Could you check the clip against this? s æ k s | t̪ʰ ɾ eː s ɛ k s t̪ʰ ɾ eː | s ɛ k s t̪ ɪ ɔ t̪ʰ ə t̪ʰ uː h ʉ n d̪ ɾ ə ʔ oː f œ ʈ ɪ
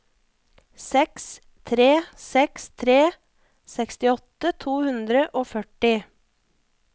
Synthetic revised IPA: s ɛ k s | t̪ʰ ɾ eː s ɛ k s t̪ʰ ɾ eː | s ɛ k s t̪ ɪ ɔ t̪ ə t̪ʰ uː h ʉ n d̪ ɾ ə ʔ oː f œ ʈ ɪ